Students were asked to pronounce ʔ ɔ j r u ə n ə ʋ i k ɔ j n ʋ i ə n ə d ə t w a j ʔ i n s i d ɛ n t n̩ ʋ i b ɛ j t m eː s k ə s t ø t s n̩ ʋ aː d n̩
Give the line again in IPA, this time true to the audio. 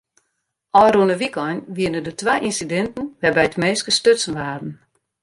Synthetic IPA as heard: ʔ ɔ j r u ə n ə ʋ i k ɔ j n ʋ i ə n ə d ə t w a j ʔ i n s i d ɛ n t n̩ ʋ ɛ b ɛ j t m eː s k ə s t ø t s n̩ ʋ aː d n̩